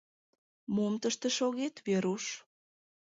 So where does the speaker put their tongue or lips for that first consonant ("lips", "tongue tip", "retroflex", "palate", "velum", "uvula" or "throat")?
lips